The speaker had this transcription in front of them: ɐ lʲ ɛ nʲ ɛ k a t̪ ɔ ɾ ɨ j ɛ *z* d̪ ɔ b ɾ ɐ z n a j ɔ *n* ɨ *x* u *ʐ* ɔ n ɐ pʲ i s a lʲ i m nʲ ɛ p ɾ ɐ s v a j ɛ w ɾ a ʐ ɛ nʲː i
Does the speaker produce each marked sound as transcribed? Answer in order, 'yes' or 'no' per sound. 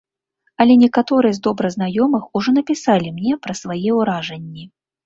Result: yes, no, yes, yes

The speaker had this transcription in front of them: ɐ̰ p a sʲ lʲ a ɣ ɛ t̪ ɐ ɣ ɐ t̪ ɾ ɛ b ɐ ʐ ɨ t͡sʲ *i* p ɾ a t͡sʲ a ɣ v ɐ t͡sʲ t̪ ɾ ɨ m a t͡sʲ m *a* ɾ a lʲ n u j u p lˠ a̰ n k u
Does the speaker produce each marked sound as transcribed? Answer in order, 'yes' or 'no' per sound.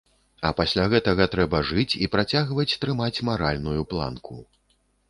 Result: yes, yes

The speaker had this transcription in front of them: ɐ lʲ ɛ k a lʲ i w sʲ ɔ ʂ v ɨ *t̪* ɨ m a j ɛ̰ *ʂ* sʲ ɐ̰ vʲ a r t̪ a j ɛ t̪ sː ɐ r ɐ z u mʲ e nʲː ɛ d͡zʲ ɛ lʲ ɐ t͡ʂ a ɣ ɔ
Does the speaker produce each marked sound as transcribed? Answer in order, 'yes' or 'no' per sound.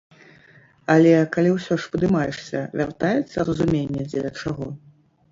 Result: no, yes

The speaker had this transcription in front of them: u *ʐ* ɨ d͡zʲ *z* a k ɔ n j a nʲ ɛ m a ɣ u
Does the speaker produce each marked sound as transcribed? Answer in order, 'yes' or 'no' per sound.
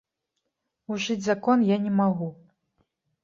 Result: yes, yes

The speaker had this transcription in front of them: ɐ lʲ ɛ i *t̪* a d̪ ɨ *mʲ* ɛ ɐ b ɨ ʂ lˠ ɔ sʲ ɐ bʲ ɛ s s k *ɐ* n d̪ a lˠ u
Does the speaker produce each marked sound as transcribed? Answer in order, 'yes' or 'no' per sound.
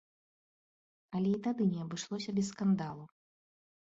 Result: yes, no, no

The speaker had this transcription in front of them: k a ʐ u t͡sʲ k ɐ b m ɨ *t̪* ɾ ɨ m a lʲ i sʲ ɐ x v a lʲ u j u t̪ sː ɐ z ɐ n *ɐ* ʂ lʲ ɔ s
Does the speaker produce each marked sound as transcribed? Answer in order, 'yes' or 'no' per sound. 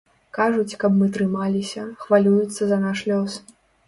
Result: yes, no

